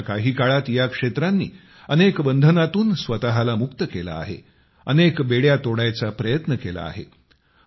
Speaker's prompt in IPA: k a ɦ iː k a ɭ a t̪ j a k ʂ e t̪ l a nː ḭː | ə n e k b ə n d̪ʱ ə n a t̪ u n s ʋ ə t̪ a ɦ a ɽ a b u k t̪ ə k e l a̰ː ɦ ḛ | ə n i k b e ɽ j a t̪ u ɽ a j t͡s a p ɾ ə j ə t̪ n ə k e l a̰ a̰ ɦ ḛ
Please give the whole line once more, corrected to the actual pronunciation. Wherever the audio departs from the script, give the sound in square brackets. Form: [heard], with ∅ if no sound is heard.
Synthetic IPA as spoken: k a ɦ iː k a ɭ a t̪ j a k ʂ e t̪ [ɾ] a nː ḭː | ə n e k b ə n d̪ʱ ə n a t̪ [uː] n s ʋ ə t̪ a ɦ a [l] a [m] u k t̪ ə k e l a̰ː ɦ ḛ | ə n [e] k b e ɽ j a t̪ [o] ɽ a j t͡s a p ɾ ə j ə t̪ n ə k e l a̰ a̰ ɦ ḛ